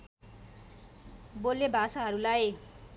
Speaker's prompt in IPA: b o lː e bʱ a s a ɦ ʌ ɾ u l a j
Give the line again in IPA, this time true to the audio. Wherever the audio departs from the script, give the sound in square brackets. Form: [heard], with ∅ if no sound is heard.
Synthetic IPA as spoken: b o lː e bʱ a s a ɦ ʌ ɾ u l a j